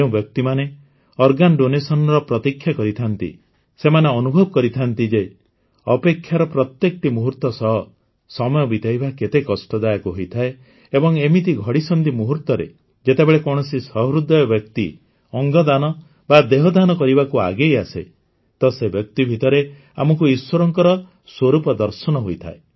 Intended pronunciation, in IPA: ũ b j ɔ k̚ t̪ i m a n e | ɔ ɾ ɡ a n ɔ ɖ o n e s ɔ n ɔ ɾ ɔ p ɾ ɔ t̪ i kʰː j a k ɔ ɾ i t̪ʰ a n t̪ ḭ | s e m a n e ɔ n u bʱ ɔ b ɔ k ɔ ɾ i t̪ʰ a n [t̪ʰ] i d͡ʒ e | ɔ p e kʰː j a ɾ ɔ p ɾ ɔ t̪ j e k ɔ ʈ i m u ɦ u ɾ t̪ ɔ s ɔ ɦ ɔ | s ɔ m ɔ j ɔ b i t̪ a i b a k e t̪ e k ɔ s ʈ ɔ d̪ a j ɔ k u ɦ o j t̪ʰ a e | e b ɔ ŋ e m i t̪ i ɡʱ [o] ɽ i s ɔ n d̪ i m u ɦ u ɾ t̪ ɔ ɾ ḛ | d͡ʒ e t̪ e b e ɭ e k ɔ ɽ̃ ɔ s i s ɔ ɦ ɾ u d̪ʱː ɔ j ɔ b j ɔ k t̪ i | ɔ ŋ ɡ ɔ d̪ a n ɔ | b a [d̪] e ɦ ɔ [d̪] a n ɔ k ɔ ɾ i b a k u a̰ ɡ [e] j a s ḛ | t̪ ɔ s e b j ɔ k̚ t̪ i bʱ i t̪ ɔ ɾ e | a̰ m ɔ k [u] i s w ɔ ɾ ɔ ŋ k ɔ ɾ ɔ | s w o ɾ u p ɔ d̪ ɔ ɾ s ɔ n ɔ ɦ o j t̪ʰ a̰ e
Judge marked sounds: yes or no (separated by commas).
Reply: no, no, yes, yes, yes, yes